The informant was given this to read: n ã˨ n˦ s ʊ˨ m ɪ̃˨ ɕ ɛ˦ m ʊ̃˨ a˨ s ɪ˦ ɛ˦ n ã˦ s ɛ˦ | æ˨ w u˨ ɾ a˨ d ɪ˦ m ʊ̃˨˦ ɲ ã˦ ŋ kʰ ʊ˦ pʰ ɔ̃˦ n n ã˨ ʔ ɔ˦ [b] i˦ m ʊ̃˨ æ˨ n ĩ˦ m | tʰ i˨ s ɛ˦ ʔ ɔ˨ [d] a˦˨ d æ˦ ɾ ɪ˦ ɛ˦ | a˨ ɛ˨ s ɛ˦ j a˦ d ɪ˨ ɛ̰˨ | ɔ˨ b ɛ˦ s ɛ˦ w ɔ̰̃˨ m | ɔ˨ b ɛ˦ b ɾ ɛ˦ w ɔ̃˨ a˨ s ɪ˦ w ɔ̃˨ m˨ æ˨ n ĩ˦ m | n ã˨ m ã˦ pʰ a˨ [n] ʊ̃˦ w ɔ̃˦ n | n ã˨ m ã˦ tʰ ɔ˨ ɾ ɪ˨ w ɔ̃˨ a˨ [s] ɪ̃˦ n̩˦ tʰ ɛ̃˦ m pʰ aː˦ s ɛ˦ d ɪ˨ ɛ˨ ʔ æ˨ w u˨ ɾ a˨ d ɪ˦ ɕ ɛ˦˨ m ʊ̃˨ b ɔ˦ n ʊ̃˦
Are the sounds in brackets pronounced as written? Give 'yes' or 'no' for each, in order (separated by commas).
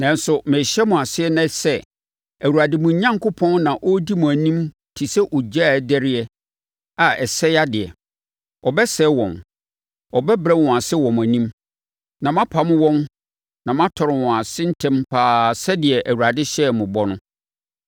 no, no, no, yes